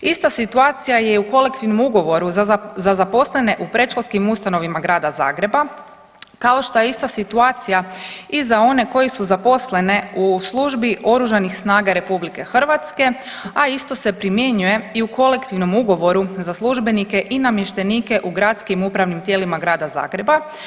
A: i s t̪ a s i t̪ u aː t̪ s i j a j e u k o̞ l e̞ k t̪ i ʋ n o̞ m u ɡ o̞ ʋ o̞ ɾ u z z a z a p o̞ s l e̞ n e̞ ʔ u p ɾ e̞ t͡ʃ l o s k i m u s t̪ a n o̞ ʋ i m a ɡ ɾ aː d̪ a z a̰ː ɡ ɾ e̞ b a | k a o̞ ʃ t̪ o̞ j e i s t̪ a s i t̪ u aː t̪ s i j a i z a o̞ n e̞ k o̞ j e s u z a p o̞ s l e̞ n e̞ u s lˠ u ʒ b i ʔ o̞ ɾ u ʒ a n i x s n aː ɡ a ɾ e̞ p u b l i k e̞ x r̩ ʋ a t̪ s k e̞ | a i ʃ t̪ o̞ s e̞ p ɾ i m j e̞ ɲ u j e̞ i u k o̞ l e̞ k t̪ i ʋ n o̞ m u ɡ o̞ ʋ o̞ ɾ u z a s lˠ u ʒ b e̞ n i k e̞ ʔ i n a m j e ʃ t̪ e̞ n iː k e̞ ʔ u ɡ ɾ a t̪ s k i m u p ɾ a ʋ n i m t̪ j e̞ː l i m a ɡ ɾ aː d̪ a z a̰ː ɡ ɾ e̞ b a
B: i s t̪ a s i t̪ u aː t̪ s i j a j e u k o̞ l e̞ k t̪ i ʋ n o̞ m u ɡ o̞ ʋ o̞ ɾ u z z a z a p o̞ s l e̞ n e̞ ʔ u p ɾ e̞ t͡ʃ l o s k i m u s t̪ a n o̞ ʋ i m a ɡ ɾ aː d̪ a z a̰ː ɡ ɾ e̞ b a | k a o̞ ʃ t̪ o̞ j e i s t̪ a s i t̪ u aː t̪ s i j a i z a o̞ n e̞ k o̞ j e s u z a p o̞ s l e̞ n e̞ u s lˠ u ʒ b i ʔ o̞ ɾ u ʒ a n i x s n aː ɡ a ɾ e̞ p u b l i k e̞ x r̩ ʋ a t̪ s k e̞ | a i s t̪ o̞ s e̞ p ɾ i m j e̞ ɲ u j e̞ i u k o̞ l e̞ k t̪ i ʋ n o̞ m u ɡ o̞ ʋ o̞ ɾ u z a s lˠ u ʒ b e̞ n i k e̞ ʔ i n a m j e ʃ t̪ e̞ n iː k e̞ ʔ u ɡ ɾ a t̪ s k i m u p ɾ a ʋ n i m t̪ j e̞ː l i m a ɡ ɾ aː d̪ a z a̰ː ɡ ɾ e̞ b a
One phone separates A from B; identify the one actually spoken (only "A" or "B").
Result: B